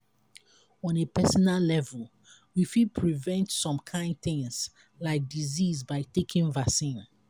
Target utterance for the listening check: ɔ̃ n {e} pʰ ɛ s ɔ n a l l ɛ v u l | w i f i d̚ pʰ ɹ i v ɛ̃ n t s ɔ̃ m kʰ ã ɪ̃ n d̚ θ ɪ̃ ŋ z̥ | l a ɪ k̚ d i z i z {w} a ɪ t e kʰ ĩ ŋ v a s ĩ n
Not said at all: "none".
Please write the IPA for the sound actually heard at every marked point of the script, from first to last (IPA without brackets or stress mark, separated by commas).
e, b